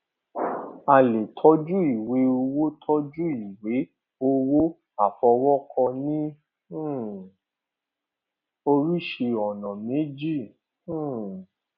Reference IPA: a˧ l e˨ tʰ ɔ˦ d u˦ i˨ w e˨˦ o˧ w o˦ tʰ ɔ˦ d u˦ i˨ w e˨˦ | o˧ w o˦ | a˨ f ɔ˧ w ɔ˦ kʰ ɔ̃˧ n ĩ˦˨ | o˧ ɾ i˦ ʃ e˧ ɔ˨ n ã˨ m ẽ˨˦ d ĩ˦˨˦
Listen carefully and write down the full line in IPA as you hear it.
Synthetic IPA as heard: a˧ l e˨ tʰ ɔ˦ d͡ʒ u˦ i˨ w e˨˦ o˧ w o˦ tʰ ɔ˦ d͡ʒ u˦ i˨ w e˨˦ | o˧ w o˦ | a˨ f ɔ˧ w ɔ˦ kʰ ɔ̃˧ n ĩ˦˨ | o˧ ɾ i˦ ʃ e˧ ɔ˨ n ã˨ m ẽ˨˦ d͡ʒ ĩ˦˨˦

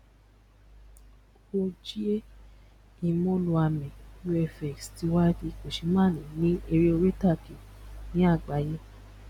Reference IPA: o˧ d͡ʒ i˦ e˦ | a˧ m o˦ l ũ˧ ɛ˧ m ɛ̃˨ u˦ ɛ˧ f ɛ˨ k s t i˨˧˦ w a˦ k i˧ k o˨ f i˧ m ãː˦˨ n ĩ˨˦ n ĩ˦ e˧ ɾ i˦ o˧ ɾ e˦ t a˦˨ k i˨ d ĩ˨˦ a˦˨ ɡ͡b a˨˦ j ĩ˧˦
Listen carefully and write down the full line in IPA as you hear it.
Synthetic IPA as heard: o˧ d͡ʒ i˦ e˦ | i˧ m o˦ l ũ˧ a˧ m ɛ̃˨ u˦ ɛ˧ f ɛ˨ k s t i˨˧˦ w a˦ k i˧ k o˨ ʃ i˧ m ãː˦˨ n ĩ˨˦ n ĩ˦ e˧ ɾ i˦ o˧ ɾ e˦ t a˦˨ k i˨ n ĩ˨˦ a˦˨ ɡ͡b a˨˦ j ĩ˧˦

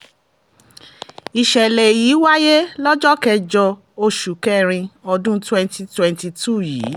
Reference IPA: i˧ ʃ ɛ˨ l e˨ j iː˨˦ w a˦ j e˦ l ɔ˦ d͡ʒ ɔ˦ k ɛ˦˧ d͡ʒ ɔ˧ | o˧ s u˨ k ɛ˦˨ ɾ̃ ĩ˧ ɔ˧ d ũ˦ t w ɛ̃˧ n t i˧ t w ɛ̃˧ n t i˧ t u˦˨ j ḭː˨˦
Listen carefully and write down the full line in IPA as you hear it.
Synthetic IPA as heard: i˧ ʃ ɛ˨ l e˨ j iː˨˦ w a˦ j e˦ l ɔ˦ d͡ʒ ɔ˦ k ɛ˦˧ d͡ʒ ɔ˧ | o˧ ʃ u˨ k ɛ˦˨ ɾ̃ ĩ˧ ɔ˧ d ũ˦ t w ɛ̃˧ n t i˧ t w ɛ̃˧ n t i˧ t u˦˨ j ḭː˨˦

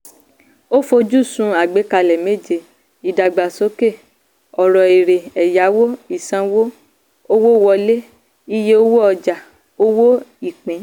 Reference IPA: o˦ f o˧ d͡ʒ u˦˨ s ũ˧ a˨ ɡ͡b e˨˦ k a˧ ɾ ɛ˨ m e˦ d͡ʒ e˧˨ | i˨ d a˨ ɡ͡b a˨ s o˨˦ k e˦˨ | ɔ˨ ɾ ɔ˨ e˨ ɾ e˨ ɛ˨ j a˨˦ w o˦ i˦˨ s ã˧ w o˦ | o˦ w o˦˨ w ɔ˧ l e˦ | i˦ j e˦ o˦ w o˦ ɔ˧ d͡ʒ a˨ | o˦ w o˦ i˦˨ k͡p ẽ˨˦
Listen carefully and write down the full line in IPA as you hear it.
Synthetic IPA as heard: o˦ f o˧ d͡ʒ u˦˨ s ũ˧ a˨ ɡ͡b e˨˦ k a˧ l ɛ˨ m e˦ d͡ʒ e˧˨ | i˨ d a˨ ɡ͡b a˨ s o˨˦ k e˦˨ | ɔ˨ ɾ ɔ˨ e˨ ɾ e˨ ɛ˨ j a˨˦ w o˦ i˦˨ s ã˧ w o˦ | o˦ w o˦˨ w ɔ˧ l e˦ | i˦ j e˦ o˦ w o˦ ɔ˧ d͡ʒ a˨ | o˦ w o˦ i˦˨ k͡p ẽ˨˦

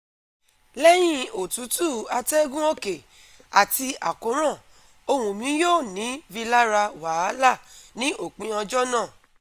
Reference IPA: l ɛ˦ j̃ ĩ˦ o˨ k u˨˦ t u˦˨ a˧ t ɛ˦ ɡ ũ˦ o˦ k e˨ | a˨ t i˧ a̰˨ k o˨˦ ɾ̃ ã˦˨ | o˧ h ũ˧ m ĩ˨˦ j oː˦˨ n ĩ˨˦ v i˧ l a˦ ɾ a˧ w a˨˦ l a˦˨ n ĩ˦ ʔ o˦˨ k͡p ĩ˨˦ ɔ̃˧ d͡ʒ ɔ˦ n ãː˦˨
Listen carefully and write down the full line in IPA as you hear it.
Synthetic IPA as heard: l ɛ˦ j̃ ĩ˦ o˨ t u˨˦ t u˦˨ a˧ t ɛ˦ ɡ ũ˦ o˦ k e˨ | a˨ t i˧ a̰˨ k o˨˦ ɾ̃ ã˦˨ | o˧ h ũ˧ m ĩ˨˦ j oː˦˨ n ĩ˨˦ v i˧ l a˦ ɾ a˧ w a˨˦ l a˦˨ n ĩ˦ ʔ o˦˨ k͡p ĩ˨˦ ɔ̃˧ d͡ʒ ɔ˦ n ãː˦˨

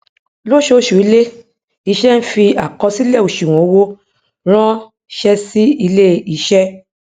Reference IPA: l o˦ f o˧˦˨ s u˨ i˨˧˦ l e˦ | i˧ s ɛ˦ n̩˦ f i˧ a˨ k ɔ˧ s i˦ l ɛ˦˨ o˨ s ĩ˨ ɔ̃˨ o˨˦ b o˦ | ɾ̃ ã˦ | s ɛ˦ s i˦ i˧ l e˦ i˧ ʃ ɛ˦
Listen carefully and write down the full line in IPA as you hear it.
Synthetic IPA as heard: l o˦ ʃ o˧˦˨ ʃ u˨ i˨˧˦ l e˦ | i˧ ʃ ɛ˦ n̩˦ f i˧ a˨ k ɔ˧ s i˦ l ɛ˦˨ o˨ ʃ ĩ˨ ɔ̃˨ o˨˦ w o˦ | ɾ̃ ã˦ | ʃ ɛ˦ s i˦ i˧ l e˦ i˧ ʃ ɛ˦

